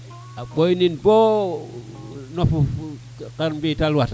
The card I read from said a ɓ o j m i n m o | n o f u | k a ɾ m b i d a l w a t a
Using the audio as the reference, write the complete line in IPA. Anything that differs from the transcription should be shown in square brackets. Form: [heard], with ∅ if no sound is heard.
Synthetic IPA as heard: a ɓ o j [n] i n [b] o | n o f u | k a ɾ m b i [t] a l w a t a